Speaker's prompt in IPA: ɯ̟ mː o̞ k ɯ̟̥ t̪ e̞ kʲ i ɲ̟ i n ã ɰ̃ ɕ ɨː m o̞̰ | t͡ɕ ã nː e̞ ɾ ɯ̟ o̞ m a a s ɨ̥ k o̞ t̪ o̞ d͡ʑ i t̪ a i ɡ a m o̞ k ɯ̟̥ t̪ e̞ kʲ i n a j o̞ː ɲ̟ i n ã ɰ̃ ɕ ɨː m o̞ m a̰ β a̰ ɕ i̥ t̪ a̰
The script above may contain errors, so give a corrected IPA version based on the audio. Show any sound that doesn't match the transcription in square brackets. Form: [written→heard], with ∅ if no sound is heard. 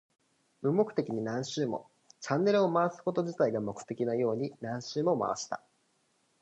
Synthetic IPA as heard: ɯ̟ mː o̞ k ɯ̟̥ t̪ e̞ kʲ i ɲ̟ i n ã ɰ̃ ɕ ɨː m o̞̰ | t͡ɕ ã nː e̞ ɾ ɯ̟ o̞ m a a s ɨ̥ k o̞ t̪ o̞ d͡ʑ i t̪ a i ɡ a m o̞ k ɯ̟̥ t̪ e̞ kʲ i n a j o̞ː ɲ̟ i n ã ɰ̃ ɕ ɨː m o̞ m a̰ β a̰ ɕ i̥ t̪ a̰